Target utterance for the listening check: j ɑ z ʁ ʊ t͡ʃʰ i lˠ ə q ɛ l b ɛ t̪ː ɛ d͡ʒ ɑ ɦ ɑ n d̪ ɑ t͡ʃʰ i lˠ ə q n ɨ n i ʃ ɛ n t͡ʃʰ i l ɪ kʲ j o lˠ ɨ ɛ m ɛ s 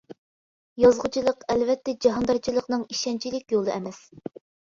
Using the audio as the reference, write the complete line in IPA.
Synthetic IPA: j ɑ z ʁ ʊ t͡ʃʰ i lˠ ə q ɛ l v ɛ t̪ː ɛ d͡ʒ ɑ ɦ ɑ n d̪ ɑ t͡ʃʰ i lˠ ə q n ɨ ŋ i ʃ ɛ n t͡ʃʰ i l ɪ kʲ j o lˠ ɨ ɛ m ɛ s